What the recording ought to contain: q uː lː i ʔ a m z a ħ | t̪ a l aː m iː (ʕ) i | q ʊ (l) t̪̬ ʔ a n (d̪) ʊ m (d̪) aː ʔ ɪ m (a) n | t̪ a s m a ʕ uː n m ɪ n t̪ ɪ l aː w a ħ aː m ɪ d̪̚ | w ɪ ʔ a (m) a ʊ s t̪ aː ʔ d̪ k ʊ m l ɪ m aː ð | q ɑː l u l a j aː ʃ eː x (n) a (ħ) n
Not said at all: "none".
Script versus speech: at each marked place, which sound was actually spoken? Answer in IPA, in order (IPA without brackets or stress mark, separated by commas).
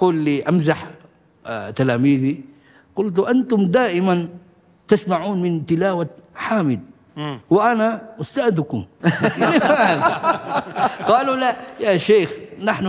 ð, l, t̪, d̪, a, n, n, ħ